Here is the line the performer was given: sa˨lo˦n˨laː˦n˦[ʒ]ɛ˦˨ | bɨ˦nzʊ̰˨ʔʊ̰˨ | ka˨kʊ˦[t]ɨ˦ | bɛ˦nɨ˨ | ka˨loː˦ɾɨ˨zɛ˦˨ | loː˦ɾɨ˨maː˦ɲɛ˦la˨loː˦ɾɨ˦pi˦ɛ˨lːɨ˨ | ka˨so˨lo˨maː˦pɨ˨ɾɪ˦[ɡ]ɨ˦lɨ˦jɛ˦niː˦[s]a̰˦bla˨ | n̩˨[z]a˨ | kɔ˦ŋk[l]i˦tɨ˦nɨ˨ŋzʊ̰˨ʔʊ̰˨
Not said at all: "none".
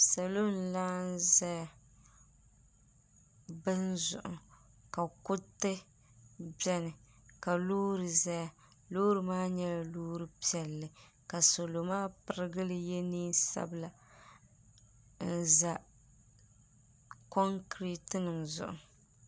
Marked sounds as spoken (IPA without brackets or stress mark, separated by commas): z, t, ɡ, s, z, ɾ